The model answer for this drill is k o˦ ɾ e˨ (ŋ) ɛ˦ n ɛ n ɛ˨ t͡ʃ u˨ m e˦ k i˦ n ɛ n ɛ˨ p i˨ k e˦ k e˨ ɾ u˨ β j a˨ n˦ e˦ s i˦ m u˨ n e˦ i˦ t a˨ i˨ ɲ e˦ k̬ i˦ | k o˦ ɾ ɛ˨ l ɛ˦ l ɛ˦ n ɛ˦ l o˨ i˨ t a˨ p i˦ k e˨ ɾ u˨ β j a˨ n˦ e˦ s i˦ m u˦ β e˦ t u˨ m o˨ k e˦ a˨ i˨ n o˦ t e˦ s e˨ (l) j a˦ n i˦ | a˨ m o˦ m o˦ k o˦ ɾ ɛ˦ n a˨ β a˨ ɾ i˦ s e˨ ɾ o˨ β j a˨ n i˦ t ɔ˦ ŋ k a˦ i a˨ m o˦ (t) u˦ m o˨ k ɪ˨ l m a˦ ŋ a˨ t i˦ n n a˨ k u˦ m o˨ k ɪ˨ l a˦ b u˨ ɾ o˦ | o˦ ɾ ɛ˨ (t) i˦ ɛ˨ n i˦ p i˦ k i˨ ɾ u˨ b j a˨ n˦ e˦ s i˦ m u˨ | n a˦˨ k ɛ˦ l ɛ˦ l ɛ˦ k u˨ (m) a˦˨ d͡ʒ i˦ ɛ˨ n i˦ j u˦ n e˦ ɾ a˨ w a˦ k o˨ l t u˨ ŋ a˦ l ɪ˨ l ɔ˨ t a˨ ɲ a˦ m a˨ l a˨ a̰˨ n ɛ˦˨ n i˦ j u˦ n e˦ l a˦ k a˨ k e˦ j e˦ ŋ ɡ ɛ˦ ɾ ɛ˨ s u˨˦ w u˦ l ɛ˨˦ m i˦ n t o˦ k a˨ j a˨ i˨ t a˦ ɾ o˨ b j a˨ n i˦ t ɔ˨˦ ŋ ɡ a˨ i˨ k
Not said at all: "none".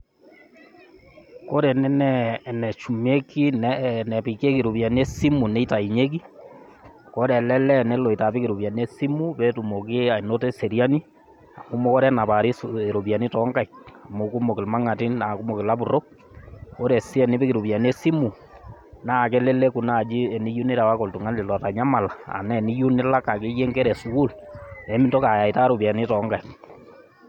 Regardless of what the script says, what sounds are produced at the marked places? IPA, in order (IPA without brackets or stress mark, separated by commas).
n, ɾ, k, s, n